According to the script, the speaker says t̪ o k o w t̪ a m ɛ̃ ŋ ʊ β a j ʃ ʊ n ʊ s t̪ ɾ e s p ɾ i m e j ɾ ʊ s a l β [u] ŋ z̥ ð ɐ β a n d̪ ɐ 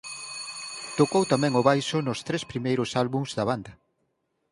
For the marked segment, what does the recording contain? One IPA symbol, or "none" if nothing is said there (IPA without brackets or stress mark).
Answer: u